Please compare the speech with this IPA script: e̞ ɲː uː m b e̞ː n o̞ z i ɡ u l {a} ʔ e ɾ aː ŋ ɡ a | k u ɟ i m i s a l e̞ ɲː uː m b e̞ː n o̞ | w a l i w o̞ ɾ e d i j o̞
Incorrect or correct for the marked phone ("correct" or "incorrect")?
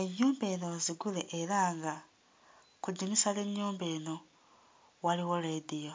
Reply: incorrect